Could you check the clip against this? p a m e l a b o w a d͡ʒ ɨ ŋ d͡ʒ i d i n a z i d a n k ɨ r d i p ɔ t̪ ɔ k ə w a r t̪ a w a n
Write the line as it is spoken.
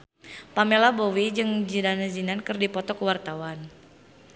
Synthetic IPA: p a m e l a b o w i d͡ʒ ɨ ŋ d͡ʒ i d a n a z i n a n k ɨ r d i p ɔ t̪ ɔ k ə w a r t̪ a w a n